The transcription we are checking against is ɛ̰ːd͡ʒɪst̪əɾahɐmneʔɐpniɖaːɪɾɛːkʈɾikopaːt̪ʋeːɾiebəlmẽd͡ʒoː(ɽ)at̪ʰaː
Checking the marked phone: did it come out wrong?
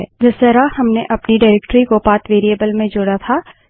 no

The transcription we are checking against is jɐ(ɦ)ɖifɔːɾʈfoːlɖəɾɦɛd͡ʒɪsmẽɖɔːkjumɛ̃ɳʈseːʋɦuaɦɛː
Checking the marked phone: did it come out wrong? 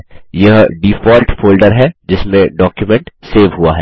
no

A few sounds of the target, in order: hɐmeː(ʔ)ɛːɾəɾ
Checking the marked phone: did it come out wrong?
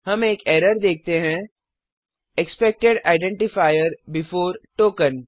yes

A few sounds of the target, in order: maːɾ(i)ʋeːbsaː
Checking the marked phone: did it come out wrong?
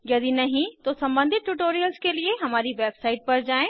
no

